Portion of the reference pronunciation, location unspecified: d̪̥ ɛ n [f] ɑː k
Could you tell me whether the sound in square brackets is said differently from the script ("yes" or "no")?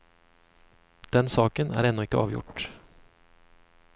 yes